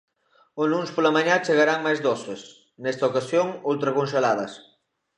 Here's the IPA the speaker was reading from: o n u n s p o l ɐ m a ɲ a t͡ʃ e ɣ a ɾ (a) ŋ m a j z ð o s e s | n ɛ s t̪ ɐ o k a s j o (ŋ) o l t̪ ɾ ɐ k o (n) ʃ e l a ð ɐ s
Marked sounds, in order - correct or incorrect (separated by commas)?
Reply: correct, correct, correct